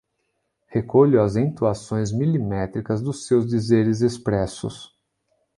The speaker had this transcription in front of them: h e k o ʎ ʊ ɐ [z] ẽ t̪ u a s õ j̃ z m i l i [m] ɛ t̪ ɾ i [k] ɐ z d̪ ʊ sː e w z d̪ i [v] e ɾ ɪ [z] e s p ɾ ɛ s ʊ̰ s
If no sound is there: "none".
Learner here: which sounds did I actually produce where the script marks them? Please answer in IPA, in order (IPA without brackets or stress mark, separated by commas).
z, m, k, z, z